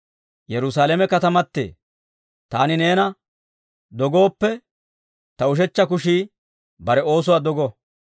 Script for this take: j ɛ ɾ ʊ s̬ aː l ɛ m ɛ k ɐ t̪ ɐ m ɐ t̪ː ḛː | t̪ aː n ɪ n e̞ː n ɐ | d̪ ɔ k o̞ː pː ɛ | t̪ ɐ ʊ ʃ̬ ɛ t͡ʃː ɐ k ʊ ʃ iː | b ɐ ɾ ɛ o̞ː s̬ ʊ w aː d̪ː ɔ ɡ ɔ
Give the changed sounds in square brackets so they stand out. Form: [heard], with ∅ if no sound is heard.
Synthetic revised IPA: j ɛ ɾ ʊ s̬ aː l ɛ m ɛ k ɐ t̪ ɐ m ɐ t̪ː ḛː | t̪ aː n ɪ n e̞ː n ɐ | d̪ ɔ [ɡ] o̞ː pː ɛ | t̪ ɐ ʊ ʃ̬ ɛ t͡ʃː ɐ k ʊ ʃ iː | b ɐ ɾ ɛ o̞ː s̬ ʊ w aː [d̪] ɔ ɡ ɔ